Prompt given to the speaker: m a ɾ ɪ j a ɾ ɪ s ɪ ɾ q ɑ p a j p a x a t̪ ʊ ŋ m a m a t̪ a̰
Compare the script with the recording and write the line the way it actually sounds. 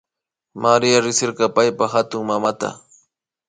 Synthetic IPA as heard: m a ɾ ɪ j a ɾ ɪ s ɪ ɾ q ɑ p a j p a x a t̪ ʊ ŋ m a m a t̪ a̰